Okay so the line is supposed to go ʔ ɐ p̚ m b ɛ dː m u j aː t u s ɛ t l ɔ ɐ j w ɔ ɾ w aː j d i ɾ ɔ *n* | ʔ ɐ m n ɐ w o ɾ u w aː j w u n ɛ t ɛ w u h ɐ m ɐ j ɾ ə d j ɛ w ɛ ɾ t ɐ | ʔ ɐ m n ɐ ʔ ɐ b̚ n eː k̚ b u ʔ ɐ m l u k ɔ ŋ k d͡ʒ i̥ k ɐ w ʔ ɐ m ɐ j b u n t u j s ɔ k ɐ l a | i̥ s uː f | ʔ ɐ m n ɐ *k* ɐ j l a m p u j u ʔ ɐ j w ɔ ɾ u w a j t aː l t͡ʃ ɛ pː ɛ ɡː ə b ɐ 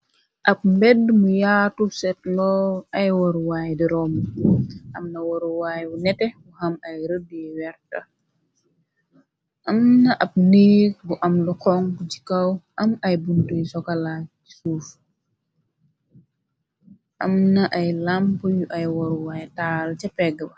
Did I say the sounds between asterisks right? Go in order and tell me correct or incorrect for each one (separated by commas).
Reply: incorrect, incorrect